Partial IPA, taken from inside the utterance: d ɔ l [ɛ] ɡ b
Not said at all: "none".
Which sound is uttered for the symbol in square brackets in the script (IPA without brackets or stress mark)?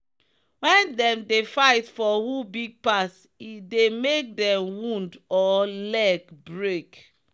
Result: ɛ